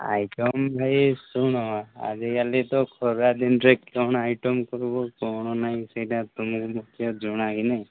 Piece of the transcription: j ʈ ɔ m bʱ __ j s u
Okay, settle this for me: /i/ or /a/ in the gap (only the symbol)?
a